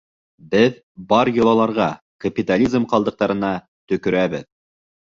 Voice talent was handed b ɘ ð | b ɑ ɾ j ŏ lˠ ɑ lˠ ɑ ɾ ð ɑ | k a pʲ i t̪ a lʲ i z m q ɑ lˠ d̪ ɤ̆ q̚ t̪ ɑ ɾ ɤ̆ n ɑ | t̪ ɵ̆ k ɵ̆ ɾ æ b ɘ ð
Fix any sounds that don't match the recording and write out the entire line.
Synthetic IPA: b ɘ ð | b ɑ ɾ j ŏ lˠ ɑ lˠ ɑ ɾ ʁ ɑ | k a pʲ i t̪ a lʲ i z m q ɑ lˠ d̪ ɤ̆ q̚ t̪ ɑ ɾ ɤ̆ n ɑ | t̪ ɵ̆ k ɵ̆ ɾ æ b ɘ ð